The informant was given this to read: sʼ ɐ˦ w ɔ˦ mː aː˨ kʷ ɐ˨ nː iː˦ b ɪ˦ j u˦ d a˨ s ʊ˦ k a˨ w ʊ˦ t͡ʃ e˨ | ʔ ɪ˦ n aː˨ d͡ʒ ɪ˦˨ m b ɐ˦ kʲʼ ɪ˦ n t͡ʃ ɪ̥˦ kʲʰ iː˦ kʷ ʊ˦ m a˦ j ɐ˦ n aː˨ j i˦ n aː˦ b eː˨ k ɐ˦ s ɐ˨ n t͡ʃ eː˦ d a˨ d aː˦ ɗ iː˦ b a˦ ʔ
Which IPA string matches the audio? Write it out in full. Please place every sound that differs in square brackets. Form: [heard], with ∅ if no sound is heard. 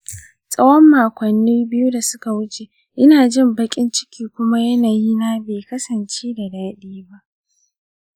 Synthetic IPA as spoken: sʼ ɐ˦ w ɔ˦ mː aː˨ kʷ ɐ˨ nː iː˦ b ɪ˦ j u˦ d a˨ s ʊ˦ k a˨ w ʊ˦ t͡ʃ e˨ | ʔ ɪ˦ n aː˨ d͡ʒ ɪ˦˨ m b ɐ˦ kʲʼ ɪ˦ n t͡ʃ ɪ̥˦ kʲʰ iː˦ kʷ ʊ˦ m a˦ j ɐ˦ n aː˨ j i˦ n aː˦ b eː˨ k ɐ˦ s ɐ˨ n t͡ʃ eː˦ d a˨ d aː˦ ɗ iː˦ b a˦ ʔ